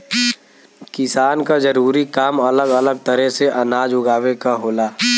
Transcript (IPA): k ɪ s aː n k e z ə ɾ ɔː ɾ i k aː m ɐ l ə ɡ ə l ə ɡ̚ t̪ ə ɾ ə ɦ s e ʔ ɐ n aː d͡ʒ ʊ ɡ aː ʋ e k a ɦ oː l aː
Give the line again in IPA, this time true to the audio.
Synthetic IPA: k ɪ s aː n k a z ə ɾ uː ɾ i k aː m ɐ l ə ɡ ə l ə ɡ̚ t̪ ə ɾ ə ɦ s e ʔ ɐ n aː d͡ʒ ʊ ɡ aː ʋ e k a ɦ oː l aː